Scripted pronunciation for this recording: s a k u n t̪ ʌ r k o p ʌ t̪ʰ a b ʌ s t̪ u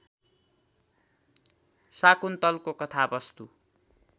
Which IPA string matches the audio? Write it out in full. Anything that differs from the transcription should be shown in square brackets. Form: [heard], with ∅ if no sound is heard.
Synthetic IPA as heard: s a k u n t̪ ʌ [l] k o [k] ʌ t̪ʰ a b ʌ s t̪ u

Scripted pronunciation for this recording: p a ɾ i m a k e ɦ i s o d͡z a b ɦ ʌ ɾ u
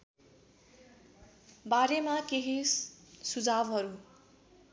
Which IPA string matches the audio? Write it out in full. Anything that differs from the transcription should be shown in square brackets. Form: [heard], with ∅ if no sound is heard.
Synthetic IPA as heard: [b] a ɾ [e] m a k e ɦ i s [u] d͡z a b ɦ ʌ ɾ u

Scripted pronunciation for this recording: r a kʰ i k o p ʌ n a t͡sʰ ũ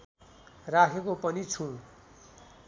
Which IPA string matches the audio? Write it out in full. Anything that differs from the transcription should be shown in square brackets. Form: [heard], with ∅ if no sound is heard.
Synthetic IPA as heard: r a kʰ [e] k o p ʌ n [i] t͡sʰ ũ

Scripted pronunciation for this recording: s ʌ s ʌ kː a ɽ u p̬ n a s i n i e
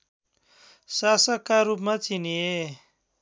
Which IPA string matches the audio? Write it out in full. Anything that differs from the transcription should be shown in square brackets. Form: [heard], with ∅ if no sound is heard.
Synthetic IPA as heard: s [a] s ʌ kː a [ɾ] u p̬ [m] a [t͡s] i n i e

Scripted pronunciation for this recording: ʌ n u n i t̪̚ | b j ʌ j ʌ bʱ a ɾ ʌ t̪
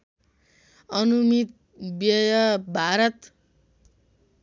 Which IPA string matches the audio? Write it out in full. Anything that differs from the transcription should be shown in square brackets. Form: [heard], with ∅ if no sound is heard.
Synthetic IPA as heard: ʌ n u [m] i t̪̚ | b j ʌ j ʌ bʱ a ɾ ʌ t̪

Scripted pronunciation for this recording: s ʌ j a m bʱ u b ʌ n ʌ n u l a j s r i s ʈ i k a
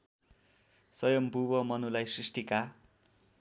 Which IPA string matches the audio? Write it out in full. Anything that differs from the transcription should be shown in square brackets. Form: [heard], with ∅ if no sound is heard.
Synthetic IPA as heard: s ʌ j [ʌ] m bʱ u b ʌ [m] ʌ n u l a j s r i s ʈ i k a

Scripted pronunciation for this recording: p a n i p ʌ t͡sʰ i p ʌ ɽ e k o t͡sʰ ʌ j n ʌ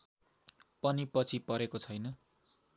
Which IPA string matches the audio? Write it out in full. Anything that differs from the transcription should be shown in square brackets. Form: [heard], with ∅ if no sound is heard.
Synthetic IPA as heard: p [ʌ] n i p ʌ t͡sʰ i p ʌ [ɾ] e k o t͡sʰ ʌ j n ʌ

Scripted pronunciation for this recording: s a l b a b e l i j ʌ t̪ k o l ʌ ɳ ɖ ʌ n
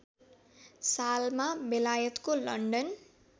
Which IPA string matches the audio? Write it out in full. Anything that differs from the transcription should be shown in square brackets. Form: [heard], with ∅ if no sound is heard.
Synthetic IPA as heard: s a l [m] a b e l [a] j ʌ t̪ k o l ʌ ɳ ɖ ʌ n

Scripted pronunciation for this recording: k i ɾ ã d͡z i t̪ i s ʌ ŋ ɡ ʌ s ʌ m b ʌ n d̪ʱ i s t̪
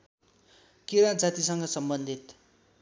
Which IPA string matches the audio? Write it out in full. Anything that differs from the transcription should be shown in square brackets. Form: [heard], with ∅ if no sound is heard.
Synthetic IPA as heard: k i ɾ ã d͡z [a] t̪ i s ʌ ŋ ɡ ʌ s ʌ m b ʌ n d̪ʱ i [∅] t̪

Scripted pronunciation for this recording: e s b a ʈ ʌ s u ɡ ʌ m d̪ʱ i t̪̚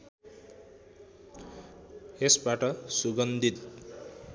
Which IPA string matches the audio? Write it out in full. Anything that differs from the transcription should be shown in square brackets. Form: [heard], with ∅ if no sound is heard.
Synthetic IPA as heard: e s b a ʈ ʌ s u ɡ ʌ [n] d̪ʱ i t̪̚

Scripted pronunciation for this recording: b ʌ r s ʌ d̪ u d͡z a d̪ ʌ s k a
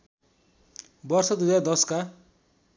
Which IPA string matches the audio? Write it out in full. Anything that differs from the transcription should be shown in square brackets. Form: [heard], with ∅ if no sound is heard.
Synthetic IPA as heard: b ʌ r s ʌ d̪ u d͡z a d̪ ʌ s k a

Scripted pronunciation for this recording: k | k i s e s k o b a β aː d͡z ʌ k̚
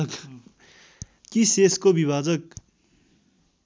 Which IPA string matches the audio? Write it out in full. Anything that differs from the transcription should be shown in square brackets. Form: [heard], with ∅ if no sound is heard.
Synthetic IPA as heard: k | k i s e s k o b [i] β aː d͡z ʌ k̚

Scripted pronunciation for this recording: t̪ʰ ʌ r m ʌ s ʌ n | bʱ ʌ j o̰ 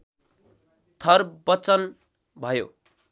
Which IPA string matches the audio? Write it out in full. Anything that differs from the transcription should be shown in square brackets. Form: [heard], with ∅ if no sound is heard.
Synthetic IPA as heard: t̪ʰ ʌ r [b] ʌ [t͡s] ʌ n | bʱ ʌ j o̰

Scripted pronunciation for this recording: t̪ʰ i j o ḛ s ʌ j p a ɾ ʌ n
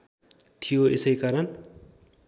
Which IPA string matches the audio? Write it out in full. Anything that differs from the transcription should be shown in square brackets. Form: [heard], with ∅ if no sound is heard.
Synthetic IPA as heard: t̪ʰ i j o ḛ s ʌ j [k] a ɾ ʌ n

